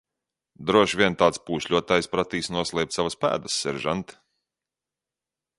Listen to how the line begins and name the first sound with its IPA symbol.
d̪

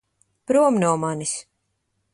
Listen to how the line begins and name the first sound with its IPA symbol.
p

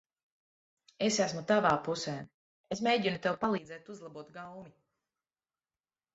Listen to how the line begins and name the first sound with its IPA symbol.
e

